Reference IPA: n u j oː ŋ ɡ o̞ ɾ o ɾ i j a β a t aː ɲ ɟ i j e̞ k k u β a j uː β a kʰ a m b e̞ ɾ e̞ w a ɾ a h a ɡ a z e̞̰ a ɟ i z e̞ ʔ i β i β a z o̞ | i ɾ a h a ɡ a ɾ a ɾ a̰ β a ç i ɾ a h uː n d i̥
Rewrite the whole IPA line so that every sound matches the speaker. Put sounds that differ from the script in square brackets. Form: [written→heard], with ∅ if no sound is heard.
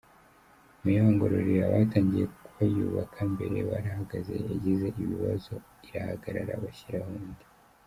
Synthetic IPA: [n→m] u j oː ŋ ɡ o̞ ɾ o ɾ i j a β a t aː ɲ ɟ i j e̞ k k u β a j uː β a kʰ a m b e̞ ɾ e̞ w a ɾ a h a ɡ a z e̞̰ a ɟ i z e̞ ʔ i β i β a z o̞ | i ɾ a h a ɡ a ɾ a ɾ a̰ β a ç i ɾ a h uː n d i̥